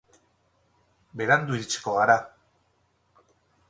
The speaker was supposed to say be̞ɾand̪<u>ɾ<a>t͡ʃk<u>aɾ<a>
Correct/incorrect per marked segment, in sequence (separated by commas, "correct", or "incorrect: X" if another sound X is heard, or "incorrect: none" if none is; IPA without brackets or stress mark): correct, incorrect: i, incorrect: o, correct